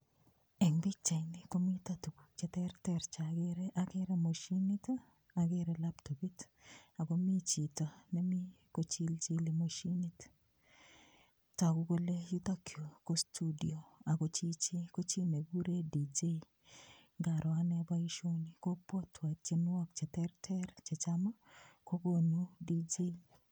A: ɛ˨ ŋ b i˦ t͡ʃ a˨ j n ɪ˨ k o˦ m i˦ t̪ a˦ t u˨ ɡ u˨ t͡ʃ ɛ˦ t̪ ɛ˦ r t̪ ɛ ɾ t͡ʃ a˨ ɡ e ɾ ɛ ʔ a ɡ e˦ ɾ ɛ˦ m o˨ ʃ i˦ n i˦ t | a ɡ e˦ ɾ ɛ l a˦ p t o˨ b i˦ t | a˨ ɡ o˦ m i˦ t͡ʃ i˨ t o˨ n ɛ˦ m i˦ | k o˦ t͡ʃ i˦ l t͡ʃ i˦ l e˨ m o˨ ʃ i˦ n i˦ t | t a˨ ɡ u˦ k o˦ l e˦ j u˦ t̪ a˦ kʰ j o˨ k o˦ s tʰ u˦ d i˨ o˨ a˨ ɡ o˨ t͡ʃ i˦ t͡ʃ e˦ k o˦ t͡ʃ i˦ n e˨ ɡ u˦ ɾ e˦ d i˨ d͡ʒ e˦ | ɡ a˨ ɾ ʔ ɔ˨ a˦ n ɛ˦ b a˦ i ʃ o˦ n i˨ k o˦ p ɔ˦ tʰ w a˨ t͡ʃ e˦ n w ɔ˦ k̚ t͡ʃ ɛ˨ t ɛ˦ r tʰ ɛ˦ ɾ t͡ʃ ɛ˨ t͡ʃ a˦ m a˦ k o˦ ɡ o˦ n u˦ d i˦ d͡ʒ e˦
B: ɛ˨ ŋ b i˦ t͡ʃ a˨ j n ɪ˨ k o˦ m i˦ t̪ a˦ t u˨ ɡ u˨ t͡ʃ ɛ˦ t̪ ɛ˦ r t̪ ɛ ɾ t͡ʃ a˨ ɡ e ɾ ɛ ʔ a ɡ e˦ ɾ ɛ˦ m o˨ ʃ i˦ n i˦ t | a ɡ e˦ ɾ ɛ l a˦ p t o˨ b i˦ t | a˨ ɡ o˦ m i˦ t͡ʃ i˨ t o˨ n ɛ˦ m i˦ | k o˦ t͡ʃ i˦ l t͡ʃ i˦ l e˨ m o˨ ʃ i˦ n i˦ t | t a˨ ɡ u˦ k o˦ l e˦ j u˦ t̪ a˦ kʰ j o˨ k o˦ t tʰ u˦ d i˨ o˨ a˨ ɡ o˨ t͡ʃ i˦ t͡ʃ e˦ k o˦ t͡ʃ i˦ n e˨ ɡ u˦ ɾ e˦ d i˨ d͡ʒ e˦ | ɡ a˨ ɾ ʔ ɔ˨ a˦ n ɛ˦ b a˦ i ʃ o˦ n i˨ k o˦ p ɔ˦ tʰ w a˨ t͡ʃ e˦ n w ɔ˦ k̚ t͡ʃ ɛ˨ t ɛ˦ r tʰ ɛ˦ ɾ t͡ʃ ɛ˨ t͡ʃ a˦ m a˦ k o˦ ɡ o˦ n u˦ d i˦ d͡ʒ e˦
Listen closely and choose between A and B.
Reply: A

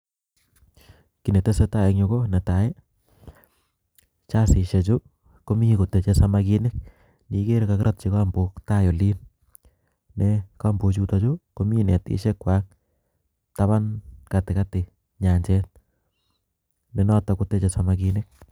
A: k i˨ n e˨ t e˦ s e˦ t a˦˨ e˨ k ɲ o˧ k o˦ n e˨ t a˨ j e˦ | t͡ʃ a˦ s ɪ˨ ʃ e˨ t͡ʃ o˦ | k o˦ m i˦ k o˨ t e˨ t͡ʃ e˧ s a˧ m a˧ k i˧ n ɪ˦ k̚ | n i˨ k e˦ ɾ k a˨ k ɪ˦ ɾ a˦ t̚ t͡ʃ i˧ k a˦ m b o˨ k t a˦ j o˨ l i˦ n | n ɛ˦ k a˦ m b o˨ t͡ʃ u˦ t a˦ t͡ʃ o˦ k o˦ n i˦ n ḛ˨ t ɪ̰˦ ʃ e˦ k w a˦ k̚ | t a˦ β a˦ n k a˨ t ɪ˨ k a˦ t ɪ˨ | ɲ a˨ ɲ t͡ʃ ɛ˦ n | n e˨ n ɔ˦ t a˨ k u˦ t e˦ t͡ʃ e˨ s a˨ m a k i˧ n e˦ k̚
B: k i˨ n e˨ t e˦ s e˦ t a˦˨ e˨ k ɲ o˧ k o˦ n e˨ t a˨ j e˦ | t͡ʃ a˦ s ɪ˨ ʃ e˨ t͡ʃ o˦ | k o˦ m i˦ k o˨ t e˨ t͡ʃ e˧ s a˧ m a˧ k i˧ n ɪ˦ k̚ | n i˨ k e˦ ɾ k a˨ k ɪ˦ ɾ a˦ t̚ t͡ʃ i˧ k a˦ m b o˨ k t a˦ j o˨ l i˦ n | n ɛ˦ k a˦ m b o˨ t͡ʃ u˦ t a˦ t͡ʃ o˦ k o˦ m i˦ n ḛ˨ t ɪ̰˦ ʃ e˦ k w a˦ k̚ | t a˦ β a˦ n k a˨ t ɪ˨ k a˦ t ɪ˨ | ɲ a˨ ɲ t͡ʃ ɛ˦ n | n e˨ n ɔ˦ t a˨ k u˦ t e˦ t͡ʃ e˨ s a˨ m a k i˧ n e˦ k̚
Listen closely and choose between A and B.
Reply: B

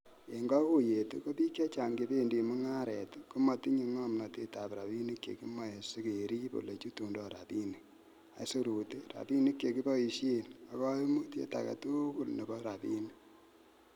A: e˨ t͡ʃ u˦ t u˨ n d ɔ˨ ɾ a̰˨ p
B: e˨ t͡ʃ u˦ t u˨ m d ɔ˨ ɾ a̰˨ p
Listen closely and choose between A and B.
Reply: A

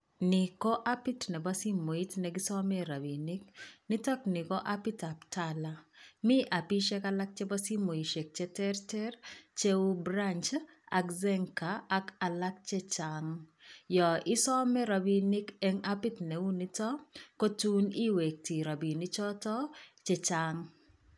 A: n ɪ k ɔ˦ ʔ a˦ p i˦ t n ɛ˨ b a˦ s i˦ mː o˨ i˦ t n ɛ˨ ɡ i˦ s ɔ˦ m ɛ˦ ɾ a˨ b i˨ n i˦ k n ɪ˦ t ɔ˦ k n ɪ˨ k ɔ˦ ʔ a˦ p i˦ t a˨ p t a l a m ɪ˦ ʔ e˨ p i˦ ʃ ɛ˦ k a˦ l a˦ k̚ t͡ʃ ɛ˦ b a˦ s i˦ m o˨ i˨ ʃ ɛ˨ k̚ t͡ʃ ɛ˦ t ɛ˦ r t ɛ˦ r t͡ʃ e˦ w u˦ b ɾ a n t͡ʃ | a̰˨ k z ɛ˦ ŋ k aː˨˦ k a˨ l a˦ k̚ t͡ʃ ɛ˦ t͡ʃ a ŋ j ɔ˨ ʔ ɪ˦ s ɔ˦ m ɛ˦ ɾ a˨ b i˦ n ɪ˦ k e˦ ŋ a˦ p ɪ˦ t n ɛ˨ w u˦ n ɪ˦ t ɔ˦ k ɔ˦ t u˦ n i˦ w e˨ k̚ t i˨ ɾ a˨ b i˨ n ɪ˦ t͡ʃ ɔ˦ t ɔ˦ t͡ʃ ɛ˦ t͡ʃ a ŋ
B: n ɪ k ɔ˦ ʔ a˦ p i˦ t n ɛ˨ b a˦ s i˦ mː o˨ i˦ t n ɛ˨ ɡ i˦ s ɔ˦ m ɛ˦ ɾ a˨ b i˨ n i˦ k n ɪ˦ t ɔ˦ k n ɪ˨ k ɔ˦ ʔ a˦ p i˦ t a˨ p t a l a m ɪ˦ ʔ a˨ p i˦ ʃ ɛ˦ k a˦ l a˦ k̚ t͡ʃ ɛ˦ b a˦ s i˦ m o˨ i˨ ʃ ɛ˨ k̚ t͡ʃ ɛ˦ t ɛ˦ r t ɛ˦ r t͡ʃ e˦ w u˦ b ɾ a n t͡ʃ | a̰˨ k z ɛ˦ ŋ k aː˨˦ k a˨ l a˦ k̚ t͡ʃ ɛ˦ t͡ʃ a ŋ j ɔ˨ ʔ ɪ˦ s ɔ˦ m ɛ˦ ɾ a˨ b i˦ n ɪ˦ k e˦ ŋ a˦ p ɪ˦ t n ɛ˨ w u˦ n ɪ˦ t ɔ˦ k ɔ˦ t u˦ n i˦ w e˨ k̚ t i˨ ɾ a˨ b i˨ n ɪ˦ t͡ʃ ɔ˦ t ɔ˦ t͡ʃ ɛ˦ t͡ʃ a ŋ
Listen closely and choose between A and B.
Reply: B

